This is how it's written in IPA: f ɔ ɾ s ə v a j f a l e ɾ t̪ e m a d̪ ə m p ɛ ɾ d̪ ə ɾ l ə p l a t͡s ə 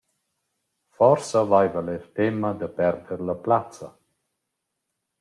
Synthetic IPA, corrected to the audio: f ɔ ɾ s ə v a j v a l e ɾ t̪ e m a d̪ ə p ɛ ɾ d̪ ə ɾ l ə p l a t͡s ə